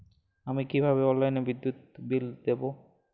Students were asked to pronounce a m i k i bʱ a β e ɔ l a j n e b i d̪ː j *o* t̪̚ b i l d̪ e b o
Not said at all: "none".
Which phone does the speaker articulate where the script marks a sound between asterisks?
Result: u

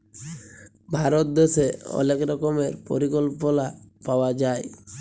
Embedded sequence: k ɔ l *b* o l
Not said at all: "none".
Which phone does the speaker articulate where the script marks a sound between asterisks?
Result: p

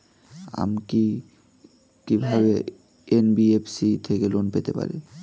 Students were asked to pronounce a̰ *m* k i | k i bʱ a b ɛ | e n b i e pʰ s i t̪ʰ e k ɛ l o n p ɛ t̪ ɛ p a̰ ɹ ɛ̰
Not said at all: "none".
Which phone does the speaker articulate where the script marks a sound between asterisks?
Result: m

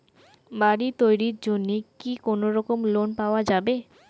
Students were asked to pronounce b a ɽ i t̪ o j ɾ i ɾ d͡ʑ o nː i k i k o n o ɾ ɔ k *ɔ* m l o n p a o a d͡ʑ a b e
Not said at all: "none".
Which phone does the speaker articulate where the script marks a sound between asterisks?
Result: o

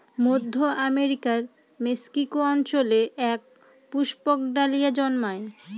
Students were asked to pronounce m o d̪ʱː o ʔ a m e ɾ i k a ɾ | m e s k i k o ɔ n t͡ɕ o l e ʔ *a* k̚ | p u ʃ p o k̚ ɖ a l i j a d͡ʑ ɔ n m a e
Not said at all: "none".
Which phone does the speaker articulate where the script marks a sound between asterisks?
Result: ɛ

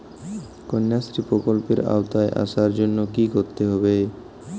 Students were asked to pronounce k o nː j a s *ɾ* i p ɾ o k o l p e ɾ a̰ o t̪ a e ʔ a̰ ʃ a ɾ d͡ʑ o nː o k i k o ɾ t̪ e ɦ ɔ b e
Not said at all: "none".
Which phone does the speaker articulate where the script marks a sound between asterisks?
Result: ɾ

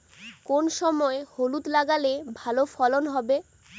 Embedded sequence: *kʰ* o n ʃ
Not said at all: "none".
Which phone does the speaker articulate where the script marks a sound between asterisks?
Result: k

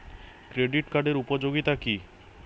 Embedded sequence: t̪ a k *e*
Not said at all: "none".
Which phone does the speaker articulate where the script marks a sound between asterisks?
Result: i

